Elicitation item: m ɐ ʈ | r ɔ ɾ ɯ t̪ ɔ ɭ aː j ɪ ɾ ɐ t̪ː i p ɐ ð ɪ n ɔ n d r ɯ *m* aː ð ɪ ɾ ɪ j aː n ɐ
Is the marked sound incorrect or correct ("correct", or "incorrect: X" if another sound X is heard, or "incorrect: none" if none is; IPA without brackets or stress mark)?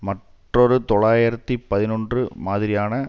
correct